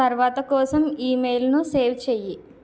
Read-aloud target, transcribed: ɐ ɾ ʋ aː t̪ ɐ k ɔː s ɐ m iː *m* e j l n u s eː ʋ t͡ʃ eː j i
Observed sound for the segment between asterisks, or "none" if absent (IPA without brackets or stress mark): m